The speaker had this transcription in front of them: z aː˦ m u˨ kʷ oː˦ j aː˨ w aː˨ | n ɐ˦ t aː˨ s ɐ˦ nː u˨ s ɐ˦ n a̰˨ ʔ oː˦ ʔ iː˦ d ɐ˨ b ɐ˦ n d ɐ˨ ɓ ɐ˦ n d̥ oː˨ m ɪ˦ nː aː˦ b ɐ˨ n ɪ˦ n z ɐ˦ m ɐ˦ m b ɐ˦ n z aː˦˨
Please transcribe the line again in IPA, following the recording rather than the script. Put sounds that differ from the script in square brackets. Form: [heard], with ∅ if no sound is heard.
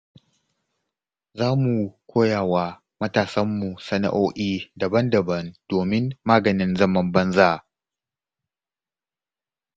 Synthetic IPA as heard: z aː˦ m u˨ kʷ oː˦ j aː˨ w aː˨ | [m] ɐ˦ t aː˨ s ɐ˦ [mː] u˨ s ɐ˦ n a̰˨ ʔ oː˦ ʔ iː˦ d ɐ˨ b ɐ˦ n d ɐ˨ [b] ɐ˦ n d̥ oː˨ m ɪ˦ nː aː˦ [ɡ] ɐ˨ n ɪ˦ n z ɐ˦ m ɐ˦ m b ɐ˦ n z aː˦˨

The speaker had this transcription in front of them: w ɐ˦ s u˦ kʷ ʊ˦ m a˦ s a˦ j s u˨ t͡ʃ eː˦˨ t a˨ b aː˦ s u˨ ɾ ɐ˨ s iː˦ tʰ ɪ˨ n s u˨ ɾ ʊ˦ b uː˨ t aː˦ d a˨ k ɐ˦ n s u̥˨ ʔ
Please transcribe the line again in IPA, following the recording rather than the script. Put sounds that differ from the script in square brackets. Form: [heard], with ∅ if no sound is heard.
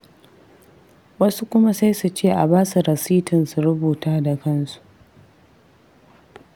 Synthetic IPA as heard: w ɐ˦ s u˦ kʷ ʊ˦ m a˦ s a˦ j s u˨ t͡ʃ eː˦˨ [ʔ] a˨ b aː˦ s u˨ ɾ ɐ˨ s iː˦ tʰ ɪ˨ n s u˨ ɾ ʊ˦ b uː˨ t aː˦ d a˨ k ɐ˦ n s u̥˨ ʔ

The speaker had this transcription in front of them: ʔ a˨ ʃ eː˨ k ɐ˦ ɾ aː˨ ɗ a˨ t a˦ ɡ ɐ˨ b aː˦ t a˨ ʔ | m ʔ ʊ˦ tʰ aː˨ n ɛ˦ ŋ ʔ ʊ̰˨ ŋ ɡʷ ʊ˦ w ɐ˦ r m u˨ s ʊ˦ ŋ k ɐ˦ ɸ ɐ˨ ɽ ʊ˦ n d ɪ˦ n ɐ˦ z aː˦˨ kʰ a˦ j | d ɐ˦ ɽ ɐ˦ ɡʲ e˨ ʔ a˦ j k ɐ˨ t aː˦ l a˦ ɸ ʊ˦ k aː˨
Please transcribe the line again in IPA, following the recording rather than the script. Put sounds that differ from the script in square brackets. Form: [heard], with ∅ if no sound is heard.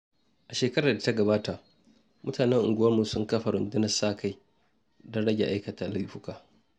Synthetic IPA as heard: ʔ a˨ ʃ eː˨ k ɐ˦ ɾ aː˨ [d] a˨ t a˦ ɡ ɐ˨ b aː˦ t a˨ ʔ | m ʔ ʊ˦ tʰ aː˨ n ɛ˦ ŋ ʔ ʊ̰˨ ŋ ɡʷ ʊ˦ w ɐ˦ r m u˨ s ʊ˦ ŋ k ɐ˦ ɸ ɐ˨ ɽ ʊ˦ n d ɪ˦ n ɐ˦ [s] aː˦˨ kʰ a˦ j | d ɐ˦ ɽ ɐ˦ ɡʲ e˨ ʔ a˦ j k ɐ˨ t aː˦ l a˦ ɸ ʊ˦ k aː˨

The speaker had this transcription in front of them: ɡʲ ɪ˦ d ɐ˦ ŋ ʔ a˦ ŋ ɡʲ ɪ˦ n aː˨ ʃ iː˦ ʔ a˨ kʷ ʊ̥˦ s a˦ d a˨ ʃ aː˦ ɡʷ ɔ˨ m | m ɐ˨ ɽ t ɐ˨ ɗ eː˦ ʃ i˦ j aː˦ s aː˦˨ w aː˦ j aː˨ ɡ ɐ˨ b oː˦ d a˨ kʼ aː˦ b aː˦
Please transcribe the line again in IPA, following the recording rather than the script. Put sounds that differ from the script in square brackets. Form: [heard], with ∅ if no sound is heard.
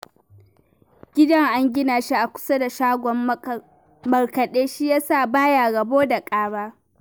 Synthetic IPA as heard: ɡʲ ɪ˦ d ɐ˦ ŋ ʔ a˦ ŋ ɡʲ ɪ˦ n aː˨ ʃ [i˦] ʔ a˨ kʷ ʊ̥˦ s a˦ d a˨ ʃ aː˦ ɡʷ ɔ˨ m | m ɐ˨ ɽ [k] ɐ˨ ɗ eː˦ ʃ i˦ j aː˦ s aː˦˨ [b] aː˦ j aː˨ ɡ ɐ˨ b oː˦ d a˨ kʼ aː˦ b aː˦

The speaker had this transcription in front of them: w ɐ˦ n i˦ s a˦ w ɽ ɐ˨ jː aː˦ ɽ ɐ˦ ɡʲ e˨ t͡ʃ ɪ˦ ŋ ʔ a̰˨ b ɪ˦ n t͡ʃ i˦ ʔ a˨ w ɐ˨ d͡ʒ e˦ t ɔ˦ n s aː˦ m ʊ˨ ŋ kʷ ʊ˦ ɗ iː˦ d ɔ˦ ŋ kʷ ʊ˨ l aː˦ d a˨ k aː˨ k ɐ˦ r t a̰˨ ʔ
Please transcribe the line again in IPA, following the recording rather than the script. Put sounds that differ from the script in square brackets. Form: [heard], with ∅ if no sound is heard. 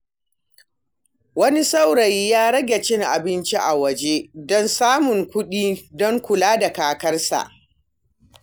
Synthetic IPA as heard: w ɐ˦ n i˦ s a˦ w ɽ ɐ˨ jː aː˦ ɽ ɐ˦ ɡʲ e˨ t͡ʃ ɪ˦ ŋ ʔ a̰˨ b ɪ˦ n t͡ʃ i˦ ʔ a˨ w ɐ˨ d͡ʒ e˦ [d] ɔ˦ n s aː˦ m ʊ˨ ŋ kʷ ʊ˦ ɗ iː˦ d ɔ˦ ŋ kʷ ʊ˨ l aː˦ d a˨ k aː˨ k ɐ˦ r [s] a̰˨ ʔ

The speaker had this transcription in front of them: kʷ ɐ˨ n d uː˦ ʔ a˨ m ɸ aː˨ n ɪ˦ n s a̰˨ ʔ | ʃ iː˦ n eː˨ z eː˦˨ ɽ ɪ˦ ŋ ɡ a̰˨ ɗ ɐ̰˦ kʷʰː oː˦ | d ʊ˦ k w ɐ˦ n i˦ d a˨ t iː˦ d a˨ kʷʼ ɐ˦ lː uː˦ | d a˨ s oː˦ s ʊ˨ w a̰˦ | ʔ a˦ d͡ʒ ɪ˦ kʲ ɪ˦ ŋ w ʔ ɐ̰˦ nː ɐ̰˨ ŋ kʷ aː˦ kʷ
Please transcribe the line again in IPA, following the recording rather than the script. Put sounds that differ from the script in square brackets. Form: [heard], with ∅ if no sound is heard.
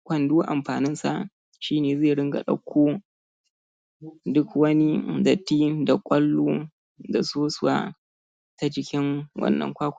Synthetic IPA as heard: kʷ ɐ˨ n d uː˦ ʔ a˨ m ɸ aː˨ n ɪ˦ n s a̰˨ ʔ | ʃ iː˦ n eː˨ z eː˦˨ ɽ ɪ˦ ŋ ɡ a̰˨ ɗ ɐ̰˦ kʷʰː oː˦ | d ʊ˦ k w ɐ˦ n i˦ d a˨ t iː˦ d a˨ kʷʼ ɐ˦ lː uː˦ | d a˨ s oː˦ s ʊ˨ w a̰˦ | [t] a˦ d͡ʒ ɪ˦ kʲ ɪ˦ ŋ w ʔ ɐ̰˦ nː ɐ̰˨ ŋ kʷ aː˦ kʷ

